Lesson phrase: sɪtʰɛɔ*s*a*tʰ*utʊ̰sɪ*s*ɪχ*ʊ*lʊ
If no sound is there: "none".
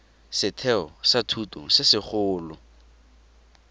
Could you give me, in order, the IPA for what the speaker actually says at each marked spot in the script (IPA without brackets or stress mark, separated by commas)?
s, tʰ, s, ʊː